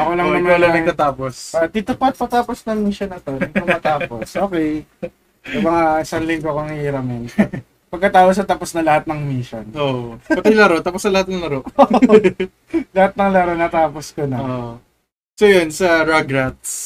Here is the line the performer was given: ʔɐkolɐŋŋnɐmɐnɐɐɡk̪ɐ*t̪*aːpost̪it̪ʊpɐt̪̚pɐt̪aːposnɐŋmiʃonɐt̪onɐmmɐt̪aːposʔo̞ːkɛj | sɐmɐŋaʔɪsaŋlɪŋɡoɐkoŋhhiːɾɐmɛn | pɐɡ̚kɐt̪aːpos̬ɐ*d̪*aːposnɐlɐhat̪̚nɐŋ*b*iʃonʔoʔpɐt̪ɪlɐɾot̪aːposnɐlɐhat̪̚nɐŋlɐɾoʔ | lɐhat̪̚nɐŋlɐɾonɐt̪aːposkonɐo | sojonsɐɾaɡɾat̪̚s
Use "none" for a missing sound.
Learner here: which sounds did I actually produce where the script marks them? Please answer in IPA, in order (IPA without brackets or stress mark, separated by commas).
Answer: t̪, t̪, m